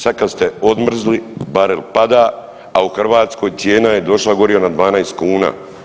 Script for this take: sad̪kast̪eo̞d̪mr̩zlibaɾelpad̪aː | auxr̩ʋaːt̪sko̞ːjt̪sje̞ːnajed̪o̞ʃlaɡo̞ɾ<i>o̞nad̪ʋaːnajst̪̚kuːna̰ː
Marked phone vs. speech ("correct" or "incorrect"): correct